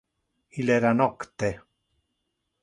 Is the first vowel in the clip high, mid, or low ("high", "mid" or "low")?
high